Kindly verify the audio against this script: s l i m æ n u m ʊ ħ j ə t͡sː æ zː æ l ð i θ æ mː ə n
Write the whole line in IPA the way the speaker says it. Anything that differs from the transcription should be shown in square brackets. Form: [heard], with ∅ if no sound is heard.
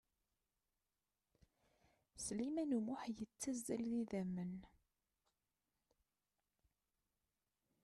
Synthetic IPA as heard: s l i m æ n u m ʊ ħ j ə t͡sː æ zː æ l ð i [ð] æ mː ə n